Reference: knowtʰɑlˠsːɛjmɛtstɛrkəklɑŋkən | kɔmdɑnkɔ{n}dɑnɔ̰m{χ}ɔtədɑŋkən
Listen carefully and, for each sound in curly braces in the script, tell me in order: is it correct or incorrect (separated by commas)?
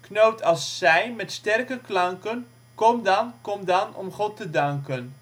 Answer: incorrect, correct